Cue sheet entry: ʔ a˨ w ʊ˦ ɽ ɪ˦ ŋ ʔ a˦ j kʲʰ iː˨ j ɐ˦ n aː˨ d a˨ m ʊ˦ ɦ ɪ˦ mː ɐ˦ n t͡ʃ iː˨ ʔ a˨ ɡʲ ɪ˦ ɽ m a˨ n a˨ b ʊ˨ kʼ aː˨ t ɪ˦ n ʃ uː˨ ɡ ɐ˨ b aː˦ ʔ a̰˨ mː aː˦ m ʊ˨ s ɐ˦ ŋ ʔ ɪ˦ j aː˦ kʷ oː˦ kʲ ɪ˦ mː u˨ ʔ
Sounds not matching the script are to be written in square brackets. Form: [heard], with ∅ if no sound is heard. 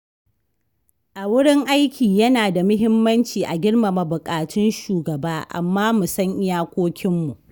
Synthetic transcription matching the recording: ʔ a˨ w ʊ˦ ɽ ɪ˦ ŋ ʔ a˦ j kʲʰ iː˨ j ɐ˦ n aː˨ d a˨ m ʊ˦ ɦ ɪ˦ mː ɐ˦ n t͡ʃ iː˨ ʔ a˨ ɡʲ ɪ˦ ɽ m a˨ [m] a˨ b ʊ˨ kʼ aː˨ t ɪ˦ n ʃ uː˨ ɡ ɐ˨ b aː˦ ʔ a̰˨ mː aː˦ m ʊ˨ s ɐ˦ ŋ ʔ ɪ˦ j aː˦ kʷ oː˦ kʲ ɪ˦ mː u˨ ʔ